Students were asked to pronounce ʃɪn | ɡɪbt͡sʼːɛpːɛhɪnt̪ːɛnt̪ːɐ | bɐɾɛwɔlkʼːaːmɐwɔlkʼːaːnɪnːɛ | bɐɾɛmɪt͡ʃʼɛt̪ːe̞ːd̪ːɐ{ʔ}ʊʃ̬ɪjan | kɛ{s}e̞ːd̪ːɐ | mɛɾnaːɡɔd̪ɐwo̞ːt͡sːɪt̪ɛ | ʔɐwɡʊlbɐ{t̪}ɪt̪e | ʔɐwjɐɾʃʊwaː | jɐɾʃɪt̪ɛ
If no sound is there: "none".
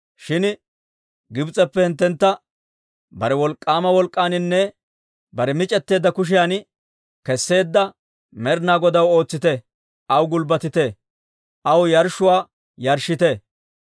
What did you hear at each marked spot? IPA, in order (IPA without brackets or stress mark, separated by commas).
k, sː, t̪